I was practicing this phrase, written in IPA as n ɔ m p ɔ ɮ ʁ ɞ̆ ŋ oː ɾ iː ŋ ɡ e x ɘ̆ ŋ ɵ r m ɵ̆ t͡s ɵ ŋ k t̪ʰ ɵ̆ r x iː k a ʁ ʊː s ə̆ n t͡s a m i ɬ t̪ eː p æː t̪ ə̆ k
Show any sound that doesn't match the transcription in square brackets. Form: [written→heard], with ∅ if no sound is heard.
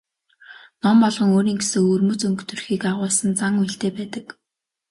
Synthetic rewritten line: n ɔ m p ɔ ɮ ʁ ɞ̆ ŋ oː ɾ iː ŋ ɡ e [x→s] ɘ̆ ŋ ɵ r m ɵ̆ t͡s ɵ ŋ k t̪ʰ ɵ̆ r x iː k a ʁ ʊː s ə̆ n t͡s a [m→ŋ] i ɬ t̪ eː p æː t̪ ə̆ k

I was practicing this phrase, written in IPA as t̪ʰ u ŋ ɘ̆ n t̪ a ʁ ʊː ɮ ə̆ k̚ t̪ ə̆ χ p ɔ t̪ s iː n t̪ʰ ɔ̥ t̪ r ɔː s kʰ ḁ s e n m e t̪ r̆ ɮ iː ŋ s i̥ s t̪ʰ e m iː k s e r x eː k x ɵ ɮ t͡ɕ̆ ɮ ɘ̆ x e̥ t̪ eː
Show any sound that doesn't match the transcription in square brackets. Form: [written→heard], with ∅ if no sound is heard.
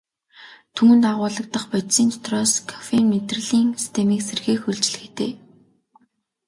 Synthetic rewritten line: t̪ʰ u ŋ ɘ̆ n t̪ a ʁ ʊː ɮ ə̆ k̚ t̪ ə̆ χ p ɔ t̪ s iː n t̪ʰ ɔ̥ t̪ r ɔː s kʰ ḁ [s→f] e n m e t̪ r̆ ɮ iː ŋ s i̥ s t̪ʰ e m iː k s e r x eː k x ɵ ɮ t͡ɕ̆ ɮ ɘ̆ x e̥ t̪ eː

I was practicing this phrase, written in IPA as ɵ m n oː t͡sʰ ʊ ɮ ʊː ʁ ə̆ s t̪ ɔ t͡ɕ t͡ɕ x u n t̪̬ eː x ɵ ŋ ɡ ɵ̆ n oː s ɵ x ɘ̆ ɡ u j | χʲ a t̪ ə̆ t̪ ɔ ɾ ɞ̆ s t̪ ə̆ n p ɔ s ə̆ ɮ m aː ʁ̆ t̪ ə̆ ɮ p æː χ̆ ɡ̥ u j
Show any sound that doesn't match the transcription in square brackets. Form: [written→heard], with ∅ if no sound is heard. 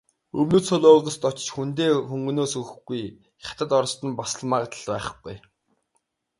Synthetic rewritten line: ɵ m n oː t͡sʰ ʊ ɮ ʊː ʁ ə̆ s t̪ ɔ t͡ɕ t͡ɕ x u n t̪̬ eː x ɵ ŋ ɡ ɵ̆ n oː s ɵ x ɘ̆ ɡ u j | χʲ a t̪ ə̆ t̪ ɔ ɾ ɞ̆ s t̪ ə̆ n p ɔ s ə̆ ɮ m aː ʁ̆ t̪ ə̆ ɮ p æː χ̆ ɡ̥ u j

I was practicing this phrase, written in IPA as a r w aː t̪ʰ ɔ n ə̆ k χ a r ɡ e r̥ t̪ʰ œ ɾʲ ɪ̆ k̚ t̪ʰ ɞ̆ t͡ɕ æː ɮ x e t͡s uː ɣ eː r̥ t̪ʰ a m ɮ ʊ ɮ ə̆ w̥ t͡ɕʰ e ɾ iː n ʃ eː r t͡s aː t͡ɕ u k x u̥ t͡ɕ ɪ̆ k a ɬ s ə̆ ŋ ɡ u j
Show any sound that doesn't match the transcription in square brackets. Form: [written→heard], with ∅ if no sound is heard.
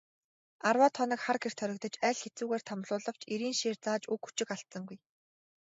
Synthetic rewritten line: a r w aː t̪ʰ ɔ n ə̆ k χ a r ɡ e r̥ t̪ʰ œ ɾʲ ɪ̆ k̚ [t̪ʰ→t̪] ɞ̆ t͡ɕ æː ɮ x e t͡s uː ɣ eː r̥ t̪ʰ a m ɮ [ʊ→ʊː] ɮ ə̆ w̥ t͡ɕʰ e ɾ iː n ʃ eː r t͡s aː t͡ɕ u k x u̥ t͡ɕ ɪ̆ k a ɬ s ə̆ ŋ ɡ u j

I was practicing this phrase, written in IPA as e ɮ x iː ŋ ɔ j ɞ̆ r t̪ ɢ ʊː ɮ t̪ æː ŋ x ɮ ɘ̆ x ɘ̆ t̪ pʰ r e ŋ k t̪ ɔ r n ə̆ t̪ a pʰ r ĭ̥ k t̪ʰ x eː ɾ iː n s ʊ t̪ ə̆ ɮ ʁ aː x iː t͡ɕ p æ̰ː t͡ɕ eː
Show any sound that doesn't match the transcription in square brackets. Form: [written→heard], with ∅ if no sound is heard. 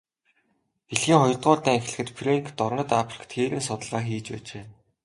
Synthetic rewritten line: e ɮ x iː ŋ ɔ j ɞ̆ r t̪ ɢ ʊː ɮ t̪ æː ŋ x ɮ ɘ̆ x ɘ̆ t̪ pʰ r e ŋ k t̪ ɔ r n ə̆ t̪ a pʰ r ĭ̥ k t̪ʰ x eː ɾ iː n s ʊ t̪ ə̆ ɮ ʁ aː x iː t͡ɕ p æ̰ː t͡ɕ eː

